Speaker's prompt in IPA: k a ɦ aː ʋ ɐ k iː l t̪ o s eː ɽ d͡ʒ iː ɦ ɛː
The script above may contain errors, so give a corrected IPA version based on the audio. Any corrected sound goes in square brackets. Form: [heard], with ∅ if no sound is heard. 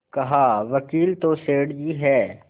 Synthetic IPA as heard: k [ɐ] ɦ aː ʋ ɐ k iː l t̪ o s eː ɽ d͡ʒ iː ɦ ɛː